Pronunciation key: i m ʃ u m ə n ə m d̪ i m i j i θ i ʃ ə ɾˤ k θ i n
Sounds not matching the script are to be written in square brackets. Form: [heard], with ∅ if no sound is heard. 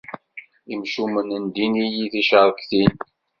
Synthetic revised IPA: i m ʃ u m ə n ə [n] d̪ i [n] i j i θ i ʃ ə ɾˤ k θ i n